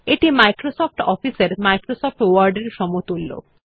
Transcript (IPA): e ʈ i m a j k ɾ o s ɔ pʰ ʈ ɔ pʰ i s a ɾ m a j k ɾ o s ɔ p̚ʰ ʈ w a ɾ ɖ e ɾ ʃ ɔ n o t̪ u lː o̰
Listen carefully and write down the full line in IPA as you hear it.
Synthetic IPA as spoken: e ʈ i m a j k ɾ o s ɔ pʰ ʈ ɔ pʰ i s e ɾ m a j k ɾ o s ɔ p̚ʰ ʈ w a ɾ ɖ e ɾ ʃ ɔ m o t̪ u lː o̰